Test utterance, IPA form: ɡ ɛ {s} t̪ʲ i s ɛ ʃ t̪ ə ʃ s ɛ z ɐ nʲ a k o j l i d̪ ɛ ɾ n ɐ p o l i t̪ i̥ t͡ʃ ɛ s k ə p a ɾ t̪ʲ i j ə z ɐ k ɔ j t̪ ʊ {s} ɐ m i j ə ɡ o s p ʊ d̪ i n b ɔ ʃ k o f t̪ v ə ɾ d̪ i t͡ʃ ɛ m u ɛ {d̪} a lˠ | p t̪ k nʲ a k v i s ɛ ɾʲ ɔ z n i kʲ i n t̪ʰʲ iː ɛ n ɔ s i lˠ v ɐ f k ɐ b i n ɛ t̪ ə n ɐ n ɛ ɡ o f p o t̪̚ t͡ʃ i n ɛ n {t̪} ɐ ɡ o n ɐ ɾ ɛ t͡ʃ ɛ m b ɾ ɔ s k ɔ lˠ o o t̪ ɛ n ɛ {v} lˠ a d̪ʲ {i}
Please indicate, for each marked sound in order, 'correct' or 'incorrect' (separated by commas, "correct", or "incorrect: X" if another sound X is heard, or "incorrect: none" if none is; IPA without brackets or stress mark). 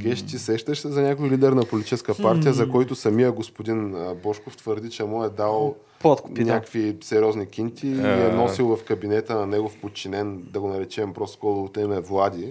incorrect: ʃ, correct, correct, incorrect: d̪, correct, correct